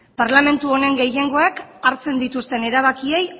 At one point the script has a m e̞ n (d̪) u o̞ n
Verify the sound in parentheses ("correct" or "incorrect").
incorrect